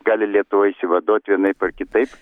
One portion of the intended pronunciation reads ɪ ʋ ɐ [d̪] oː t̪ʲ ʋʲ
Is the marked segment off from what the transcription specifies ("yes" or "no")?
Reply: no